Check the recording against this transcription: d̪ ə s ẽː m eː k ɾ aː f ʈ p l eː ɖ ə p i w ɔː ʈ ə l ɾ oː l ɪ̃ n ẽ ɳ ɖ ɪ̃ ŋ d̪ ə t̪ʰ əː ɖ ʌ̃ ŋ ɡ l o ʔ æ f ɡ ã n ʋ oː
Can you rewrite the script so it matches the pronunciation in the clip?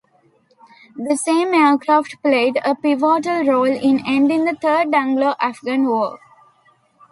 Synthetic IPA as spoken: d̪ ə s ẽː m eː k ɾ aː f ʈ p l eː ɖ ə p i ʋ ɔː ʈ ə l ɾ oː l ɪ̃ n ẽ ɳ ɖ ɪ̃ ŋ d̪ ə t̪ʰ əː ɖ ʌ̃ ŋ ɡ l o ʔ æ f ɡ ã n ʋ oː